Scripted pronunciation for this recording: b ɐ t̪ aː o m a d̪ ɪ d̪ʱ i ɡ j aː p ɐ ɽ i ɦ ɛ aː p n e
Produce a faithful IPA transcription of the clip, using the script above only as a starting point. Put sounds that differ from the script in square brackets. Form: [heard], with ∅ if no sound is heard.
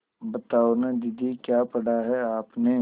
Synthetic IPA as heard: b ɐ t̪ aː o [n] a d̪ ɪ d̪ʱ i [k] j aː p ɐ ɽ [a] ɦ ɛ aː p n e